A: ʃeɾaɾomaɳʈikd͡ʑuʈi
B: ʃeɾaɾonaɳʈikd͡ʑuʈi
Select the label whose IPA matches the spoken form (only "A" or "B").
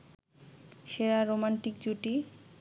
A